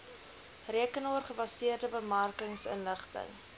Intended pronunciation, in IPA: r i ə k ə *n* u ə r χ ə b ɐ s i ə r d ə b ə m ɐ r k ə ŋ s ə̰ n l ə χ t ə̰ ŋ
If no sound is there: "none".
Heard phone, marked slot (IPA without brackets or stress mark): n